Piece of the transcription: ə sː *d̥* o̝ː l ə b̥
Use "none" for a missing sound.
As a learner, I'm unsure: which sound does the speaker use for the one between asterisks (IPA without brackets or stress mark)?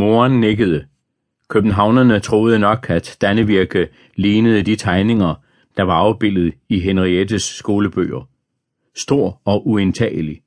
ɡ̥